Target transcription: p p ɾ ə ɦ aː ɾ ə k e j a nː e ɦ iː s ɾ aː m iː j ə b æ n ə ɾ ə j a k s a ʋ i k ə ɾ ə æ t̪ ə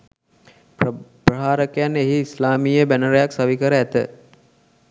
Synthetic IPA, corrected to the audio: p p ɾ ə ɦ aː ɾ ə k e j a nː e ɦ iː s l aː m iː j ə b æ n ə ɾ ə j a k s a ʋ i k ə ɾ ə æ t̪ ə